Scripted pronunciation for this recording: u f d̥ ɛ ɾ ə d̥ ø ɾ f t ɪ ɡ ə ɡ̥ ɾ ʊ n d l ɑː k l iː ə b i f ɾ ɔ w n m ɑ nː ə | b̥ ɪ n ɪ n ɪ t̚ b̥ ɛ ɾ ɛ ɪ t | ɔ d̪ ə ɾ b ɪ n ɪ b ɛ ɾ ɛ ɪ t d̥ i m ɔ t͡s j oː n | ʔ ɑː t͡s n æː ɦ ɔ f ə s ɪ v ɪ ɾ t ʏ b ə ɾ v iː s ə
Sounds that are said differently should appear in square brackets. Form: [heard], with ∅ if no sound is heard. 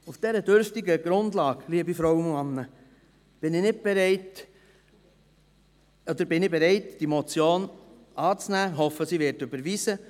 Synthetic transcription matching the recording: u f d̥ ɛ ɾ ə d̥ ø ɾ f t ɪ ɡ ə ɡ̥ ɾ ʊ n d l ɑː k l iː ə b i f ɾ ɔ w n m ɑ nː ə | b̥ ɪ n ɪ n ɪ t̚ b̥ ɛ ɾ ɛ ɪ t | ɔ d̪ ə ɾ b ɪ n ɪ b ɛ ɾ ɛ ɪ t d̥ i m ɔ t͡s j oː n | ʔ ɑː t͡s n æː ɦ ɔ f ə s [i] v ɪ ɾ t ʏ b ə ɾ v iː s ə